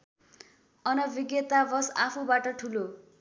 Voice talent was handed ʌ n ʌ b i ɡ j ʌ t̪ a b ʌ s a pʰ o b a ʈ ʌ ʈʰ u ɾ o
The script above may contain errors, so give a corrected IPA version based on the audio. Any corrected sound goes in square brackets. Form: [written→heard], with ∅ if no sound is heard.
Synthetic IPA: ʌ n ʌ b i ɡ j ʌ t̪ a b ʌ s a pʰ [o→u] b a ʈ ʌ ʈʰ u [ɾ→l] o